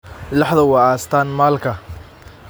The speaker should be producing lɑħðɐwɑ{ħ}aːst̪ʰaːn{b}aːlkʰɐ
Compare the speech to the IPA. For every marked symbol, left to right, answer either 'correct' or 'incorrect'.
incorrect: none, incorrect: m

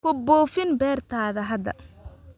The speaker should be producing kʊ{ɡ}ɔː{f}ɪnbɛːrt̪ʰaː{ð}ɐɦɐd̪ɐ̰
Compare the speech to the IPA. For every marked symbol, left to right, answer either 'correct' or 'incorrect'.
incorrect: b, correct, correct

